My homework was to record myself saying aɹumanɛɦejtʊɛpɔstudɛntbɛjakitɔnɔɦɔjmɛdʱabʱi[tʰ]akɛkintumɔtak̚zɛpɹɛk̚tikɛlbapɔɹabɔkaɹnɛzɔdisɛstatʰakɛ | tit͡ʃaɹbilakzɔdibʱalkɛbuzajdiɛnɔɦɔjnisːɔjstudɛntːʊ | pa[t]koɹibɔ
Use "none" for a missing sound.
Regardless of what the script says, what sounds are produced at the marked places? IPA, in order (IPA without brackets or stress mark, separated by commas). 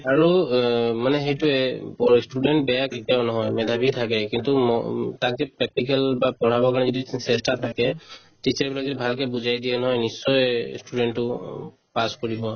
tʰ, s